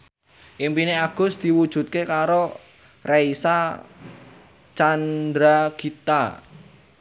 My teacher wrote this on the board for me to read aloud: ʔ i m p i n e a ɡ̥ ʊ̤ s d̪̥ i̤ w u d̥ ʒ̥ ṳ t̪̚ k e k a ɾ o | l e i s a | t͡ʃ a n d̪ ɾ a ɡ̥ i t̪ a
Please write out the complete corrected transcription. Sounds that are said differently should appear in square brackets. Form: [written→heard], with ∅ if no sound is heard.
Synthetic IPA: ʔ i m p i n e a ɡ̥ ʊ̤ s d̪̥ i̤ w u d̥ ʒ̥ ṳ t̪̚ k e k a ɾ o | [l→r] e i s a | t͡ʃ a n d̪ ɾ a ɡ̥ i t̪ a